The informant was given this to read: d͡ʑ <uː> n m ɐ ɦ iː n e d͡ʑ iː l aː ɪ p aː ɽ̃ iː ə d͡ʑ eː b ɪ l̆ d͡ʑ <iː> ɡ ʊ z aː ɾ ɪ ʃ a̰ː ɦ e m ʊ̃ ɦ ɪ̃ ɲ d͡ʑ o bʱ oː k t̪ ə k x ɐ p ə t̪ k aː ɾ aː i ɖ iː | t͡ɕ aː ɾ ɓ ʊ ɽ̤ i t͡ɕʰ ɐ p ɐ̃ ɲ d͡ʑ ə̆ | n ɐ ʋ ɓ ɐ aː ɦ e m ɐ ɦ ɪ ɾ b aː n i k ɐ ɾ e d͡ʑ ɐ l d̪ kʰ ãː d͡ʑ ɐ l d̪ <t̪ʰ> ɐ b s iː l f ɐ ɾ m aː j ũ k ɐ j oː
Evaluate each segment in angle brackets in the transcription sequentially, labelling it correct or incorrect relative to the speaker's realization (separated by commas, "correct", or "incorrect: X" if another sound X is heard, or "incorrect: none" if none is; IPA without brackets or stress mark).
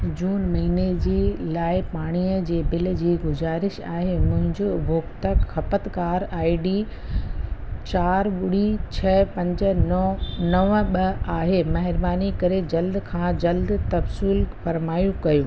correct, correct, incorrect: t̪